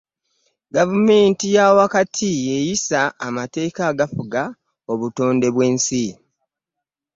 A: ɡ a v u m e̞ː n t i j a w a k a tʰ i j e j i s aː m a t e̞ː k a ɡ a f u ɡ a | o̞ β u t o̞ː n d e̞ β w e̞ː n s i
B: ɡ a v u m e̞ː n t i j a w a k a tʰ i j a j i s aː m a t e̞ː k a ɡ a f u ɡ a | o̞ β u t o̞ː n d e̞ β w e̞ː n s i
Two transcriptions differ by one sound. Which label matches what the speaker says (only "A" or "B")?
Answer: A